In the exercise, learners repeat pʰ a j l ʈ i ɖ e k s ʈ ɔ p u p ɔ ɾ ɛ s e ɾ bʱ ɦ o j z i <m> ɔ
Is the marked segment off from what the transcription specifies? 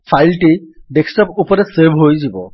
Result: yes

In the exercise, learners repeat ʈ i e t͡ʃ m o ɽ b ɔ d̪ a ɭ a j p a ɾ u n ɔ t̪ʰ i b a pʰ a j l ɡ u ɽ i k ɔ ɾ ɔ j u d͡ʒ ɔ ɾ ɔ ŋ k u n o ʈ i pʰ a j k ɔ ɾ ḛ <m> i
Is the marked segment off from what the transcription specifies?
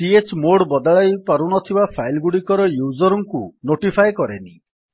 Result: yes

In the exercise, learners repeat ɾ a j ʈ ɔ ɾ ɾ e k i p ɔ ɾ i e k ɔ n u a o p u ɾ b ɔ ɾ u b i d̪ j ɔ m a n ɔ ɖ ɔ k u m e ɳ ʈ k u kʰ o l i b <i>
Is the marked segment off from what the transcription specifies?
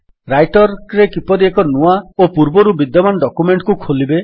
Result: yes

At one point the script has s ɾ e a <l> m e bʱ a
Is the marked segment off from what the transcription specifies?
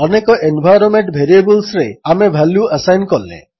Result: yes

